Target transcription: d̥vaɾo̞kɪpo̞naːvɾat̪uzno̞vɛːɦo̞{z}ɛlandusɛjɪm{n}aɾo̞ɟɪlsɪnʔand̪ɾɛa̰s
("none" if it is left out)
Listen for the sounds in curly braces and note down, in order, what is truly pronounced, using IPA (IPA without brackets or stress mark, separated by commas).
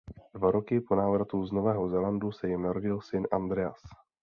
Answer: z, n